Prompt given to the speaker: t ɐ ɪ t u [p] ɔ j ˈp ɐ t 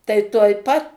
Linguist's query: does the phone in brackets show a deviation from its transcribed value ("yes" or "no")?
yes